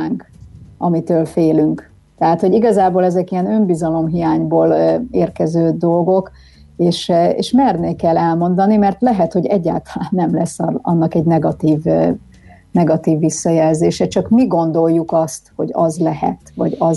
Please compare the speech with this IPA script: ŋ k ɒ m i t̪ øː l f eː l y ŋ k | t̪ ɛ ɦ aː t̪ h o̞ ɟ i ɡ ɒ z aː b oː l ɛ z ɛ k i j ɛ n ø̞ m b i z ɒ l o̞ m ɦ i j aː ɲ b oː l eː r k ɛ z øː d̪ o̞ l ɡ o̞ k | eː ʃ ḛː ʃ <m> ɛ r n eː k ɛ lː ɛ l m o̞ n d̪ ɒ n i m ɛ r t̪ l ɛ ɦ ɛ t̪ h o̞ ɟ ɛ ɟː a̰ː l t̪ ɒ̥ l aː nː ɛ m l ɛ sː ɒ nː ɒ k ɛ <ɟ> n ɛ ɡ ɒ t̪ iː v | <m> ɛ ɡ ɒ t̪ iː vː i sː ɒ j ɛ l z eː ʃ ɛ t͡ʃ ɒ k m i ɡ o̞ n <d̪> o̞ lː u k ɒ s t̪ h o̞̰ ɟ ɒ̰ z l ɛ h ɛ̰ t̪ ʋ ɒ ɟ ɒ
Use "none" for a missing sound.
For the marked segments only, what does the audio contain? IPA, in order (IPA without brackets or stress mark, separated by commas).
m, ɟ, n, d̪